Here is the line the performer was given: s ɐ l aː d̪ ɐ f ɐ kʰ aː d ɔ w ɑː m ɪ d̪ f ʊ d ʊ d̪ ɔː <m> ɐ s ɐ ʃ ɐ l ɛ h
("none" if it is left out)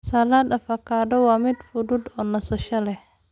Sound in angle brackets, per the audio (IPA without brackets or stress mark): n